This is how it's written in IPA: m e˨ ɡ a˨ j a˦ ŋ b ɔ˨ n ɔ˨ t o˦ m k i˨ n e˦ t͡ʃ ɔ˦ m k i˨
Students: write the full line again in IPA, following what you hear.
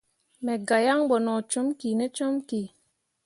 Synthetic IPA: m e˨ ɡ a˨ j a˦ ŋ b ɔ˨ n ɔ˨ t͡ʃ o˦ m k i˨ n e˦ t͡ʃ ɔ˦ m k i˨